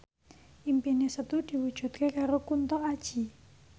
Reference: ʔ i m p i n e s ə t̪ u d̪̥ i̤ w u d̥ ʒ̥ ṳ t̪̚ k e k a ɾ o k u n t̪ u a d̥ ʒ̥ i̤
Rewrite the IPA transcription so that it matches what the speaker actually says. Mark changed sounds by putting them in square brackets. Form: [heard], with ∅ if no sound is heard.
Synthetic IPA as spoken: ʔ i m p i n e s ə t̪ u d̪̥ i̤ w u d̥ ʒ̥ ṳ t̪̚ k e k a ɾ o k u n t̪ [ɔ] a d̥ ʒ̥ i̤